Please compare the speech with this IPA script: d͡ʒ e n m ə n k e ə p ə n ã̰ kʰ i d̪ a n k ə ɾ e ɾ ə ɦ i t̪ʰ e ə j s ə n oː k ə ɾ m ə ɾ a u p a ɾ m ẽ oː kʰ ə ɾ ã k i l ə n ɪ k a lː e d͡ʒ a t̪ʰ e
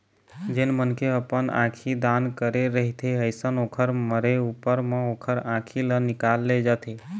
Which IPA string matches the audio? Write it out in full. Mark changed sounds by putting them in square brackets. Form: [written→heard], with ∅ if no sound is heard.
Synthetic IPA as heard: d͡ʒ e n m ə n k e ə p ə n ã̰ kʰ i d̪ a n k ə ɾ e ɾ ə ɦ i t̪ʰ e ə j s ə n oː [k→kʰ] ə ɾ m ə ɾ [a→e] u p [a→ə] ɾ m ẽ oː kʰ ə ɾ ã [k→kʰ] i l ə n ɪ k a lː e d͡ʒ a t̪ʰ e